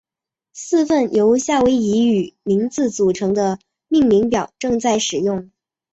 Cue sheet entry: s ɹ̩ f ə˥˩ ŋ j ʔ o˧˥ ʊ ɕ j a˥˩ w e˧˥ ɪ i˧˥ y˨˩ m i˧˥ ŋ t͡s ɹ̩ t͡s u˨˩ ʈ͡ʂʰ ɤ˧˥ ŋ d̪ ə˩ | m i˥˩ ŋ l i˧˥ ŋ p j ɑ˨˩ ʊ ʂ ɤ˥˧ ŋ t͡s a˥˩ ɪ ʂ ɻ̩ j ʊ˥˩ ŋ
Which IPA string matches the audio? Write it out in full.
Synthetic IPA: s ɹ̩ f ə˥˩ n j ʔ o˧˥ ʊ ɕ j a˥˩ w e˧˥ ɪ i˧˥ y˨˩ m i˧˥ ŋ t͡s ɹ̩ t͡s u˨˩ ʈ͡ʂʰ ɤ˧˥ ŋ d̪ ə˧ | m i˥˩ ŋ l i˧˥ ŋ p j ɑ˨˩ ʊ ʈ͡ʂ ɤ˥˧ ŋ t͡s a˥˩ ɪ ʂ ɻ̩ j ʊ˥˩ ŋ